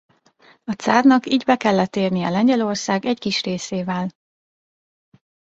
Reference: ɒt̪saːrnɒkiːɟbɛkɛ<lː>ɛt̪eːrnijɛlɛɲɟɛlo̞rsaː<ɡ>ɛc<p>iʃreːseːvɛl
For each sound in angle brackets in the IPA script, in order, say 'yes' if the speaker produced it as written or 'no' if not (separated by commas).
yes, yes, no